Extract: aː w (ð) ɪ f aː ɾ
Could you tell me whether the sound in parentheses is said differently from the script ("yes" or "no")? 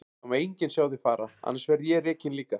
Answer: no